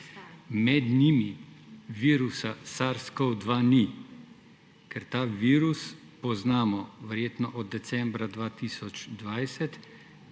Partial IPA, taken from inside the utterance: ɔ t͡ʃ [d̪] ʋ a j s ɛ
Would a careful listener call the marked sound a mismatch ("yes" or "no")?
no